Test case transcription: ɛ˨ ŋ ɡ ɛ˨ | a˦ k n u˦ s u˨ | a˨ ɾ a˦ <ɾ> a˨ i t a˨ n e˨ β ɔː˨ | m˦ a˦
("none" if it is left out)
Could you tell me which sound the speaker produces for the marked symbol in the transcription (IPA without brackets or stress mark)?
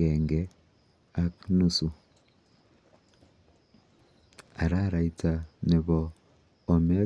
ɾ